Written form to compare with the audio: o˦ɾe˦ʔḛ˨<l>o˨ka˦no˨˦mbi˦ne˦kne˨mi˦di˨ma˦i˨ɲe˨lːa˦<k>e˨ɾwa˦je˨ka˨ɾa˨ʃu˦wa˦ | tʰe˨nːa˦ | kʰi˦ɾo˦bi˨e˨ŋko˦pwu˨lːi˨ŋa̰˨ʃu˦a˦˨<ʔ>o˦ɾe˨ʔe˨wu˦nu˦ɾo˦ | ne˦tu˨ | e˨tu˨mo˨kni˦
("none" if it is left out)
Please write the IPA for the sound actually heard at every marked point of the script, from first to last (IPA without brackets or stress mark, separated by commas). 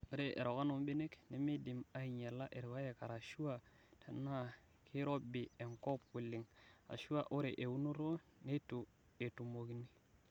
ɾ, ʔ, ʔ